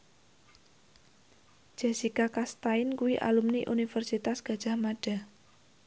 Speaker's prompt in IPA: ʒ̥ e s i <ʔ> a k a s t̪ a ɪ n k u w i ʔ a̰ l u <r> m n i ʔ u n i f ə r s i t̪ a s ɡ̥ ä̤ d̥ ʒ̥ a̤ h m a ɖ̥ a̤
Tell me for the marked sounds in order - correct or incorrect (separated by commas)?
incorrect, incorrect